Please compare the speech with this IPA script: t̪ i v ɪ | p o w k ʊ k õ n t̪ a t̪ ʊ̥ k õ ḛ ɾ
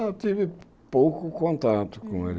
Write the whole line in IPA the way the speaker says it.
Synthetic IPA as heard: t̪ i v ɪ | p o w k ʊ k õ n t̪ a t̪ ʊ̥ k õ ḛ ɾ